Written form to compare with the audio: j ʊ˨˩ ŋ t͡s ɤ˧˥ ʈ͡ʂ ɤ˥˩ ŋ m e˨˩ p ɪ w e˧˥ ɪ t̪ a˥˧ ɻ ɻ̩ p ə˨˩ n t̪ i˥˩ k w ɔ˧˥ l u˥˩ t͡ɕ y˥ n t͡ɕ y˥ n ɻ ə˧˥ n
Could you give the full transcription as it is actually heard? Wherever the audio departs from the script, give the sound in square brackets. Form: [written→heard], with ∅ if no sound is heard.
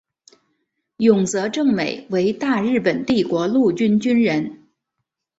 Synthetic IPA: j ʊ˨˩ ŋ t͡s ɤ˧˥ ʈ͡ʂ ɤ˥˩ ŋ m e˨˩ [p→∅] ɪ w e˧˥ ɪ t̪ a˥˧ ɻ ɻ̩ p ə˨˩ n t̪ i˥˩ k w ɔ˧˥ l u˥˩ t͡ɕ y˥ n t͡ɕ y˥ n ɻ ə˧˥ n